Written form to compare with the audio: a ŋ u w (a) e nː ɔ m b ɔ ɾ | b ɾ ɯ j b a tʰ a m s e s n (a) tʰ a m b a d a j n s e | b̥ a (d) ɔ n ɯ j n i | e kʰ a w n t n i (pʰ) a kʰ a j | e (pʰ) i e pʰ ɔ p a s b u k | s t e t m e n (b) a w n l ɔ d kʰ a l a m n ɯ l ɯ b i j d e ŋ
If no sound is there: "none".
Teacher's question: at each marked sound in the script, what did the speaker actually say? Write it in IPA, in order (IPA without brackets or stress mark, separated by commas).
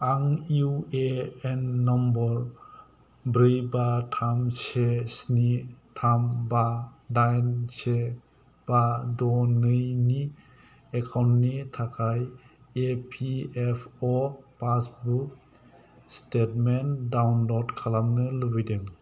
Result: e, i, d, tʰ, pʰ, d